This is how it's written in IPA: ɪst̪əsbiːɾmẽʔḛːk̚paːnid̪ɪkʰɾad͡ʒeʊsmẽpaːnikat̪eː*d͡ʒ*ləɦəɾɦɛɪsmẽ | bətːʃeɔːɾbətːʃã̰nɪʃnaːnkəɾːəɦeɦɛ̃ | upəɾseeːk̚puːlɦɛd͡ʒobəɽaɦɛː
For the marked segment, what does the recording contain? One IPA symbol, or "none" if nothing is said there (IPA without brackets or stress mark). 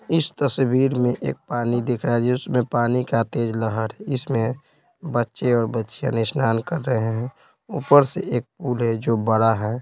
d͡ʒ